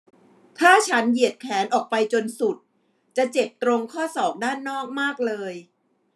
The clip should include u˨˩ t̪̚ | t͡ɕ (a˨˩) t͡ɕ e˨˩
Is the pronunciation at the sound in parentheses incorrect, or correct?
correct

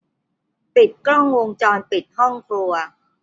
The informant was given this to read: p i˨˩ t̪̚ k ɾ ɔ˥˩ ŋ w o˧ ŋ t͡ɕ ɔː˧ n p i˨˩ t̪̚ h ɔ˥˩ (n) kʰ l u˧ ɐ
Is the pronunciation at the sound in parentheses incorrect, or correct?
incorrect: ŋ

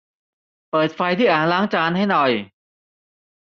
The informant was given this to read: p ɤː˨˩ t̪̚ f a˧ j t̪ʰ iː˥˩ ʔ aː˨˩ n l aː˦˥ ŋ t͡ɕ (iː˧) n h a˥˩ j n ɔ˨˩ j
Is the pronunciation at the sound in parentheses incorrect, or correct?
incorrect: aː˧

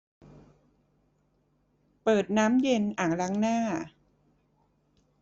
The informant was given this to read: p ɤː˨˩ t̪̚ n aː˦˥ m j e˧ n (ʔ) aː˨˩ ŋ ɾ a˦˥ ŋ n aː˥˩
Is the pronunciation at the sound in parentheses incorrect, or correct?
correct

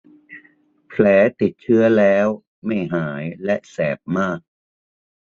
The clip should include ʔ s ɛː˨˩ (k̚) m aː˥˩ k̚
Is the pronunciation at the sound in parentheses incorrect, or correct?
incorrect: p̚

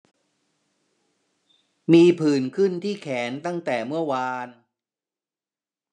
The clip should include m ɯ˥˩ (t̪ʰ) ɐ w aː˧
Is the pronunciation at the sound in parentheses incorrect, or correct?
incorrect: none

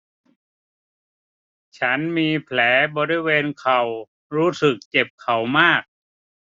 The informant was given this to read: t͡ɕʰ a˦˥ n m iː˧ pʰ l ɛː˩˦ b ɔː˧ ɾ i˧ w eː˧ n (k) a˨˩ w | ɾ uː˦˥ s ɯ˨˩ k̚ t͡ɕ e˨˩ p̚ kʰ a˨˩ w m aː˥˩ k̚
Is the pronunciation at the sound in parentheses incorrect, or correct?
incorrect: kʰ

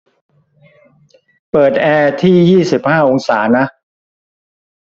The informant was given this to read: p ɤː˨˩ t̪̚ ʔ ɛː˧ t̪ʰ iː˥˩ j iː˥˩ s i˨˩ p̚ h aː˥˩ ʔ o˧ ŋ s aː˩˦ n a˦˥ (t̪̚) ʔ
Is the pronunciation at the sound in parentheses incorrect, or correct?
incorrect: none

